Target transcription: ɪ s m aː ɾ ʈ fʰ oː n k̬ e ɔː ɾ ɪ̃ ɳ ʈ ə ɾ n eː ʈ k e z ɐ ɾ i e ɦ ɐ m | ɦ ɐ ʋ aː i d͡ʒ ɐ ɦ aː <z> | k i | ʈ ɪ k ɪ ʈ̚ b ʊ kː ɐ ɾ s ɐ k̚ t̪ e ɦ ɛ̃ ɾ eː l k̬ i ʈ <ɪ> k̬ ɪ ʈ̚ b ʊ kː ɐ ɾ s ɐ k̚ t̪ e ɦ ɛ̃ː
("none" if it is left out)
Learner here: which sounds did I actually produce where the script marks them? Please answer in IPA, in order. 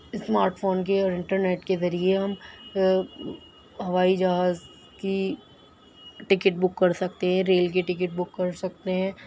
z, ɪ

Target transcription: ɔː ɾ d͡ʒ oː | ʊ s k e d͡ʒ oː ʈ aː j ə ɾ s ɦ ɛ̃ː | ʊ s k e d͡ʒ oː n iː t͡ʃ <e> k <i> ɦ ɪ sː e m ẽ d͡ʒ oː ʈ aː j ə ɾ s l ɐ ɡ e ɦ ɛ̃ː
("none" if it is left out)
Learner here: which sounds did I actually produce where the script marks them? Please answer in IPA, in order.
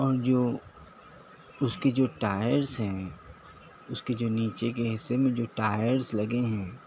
e, e

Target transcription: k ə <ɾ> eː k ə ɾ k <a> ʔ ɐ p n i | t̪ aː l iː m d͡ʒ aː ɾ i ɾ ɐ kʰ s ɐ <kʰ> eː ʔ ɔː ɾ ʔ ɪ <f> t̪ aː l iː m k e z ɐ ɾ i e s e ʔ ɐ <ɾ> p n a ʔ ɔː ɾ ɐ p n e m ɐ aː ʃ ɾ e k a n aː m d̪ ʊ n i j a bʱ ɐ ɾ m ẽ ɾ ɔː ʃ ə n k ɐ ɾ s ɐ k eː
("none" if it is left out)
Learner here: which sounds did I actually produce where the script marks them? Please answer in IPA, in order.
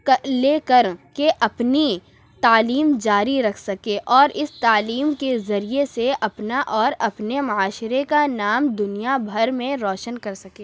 l, e, k, s, none

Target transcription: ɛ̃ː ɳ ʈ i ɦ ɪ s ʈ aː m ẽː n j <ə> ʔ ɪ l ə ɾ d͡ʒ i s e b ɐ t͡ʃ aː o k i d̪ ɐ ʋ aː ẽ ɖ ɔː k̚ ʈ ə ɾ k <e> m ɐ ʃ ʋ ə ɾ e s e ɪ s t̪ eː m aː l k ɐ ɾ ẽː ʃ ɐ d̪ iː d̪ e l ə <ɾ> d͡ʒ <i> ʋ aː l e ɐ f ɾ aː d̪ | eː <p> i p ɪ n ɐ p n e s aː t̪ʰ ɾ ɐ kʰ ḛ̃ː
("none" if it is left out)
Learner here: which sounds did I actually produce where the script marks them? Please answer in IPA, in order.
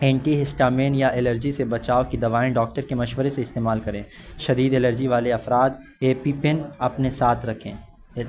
a, e, ɾ, i, p

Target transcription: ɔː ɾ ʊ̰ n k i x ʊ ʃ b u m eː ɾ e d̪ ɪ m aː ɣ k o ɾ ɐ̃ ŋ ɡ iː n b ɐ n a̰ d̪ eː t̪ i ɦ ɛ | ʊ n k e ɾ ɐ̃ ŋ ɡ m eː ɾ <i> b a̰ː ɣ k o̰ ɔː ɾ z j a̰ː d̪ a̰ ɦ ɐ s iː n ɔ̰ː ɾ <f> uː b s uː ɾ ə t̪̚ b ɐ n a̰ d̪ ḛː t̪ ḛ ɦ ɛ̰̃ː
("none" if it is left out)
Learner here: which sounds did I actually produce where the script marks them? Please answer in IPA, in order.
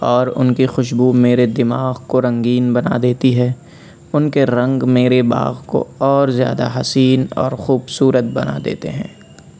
e, x

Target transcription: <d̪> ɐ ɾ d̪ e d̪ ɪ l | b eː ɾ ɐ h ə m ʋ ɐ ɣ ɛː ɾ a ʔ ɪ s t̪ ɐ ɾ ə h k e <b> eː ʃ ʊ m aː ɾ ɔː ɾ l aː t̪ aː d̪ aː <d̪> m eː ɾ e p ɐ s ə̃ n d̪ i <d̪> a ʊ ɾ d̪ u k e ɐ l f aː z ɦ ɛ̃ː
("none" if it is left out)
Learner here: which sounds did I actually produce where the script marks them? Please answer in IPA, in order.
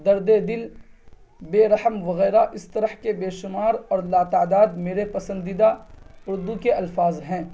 d̪, b, d̪, d̪

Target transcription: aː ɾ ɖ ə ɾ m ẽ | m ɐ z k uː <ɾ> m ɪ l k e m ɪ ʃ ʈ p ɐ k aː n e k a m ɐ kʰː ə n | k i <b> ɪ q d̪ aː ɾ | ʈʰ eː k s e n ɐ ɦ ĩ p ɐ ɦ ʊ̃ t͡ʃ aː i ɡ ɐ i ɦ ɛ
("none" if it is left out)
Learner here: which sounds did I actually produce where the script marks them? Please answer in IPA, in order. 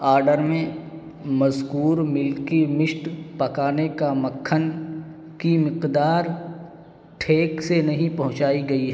ɾ, m

